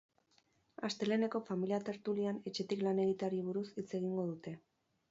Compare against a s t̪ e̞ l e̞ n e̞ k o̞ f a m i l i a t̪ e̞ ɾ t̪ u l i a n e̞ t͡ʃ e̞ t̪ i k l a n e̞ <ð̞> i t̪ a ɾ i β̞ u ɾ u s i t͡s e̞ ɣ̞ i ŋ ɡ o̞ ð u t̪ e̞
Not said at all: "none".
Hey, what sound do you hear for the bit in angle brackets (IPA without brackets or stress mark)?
ɣ̞